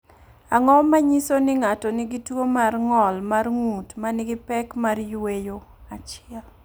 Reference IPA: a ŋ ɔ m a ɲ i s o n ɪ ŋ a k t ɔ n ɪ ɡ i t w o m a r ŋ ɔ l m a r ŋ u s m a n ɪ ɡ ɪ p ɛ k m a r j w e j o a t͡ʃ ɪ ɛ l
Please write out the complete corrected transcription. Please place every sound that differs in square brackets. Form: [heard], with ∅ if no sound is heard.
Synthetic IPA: a ŋ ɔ m a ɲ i s o n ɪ ŋ a [∅] t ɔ n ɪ ɡ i t w o m a r ŋ ɔ l m a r ŋ u [t] m a n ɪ ɡ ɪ p ɛ k m a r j w e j o a t͡ʃ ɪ ɛ l